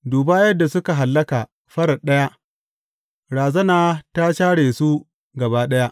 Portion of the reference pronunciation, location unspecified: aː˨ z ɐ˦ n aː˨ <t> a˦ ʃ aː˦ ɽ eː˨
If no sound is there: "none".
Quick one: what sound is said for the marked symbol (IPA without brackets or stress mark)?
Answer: t